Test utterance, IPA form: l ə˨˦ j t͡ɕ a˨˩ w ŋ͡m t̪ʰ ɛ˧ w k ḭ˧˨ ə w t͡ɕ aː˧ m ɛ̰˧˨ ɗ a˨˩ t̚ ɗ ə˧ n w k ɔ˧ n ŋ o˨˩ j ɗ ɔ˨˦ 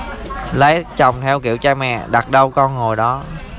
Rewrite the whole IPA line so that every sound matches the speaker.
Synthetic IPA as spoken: l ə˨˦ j t͡ɕ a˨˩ w ŋ͡m t̪ʰ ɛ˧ w k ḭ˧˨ ə w t͡ɕ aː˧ m ɛ̰˧˨ ɗ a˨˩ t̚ ɗ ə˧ w k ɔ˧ n ŋ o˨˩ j ɗ ɔ˨˦